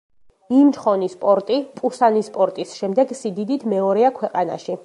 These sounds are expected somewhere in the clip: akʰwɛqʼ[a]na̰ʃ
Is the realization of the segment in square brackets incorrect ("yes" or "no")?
no